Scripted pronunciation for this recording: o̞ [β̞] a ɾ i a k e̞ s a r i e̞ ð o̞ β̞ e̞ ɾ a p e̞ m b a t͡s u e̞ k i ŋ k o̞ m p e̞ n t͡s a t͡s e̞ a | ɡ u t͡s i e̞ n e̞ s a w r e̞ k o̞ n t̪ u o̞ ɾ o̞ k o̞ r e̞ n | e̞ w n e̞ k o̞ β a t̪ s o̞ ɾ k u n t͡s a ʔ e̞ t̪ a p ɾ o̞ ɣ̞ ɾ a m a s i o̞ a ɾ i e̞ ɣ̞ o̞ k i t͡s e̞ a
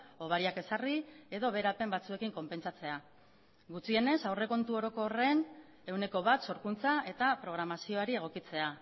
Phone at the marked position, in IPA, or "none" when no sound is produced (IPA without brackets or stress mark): β̞